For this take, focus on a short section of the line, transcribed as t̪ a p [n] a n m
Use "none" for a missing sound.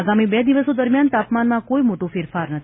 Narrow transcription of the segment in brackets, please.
m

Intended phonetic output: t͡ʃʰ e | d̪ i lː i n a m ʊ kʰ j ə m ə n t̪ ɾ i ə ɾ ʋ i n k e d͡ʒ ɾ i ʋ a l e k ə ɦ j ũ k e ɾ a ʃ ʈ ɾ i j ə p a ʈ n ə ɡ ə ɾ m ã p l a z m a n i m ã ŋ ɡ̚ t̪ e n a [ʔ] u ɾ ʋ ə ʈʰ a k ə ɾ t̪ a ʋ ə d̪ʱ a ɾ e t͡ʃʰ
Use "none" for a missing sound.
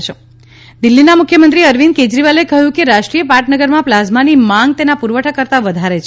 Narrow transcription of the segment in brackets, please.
p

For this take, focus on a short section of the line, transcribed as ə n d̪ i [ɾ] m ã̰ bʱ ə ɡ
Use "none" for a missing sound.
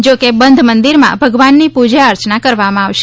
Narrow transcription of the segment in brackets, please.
ɾ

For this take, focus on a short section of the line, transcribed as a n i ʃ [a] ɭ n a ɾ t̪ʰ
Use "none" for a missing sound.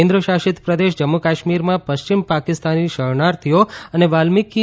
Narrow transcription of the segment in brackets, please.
ə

